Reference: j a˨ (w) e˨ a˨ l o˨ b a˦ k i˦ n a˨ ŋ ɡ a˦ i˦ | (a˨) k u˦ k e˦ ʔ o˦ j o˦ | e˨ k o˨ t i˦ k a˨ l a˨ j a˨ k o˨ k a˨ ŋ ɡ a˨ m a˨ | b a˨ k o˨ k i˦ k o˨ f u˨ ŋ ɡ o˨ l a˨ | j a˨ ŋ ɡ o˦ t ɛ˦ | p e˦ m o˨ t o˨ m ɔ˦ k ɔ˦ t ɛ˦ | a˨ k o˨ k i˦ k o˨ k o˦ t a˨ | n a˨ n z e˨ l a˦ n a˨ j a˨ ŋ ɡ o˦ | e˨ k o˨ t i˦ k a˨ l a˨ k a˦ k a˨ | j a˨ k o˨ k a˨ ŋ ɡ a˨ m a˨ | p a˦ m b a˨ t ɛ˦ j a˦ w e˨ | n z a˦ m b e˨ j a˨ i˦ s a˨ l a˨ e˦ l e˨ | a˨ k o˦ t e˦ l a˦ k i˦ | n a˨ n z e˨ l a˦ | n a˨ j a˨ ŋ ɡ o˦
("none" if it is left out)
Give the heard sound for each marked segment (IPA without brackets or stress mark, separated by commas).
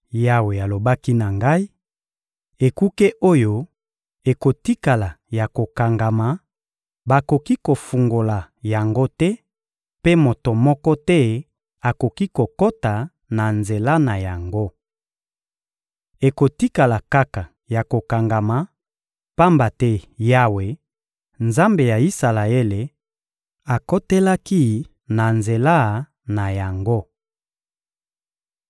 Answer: w, e˨